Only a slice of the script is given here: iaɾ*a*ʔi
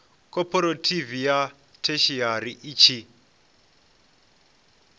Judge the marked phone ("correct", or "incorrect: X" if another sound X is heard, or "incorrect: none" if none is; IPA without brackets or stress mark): incorrect: i